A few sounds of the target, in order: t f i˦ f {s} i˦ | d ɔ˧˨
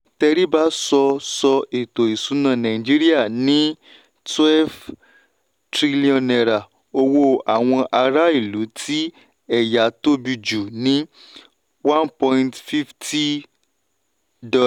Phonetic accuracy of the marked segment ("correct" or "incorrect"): incorrect